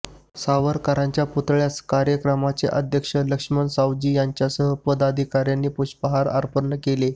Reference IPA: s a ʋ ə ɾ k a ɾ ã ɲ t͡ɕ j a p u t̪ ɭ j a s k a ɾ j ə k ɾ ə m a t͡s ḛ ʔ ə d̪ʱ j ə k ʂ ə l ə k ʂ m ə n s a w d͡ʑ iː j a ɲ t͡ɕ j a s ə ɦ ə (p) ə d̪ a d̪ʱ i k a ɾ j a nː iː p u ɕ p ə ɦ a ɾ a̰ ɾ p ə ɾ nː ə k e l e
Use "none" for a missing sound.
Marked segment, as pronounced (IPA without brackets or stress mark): p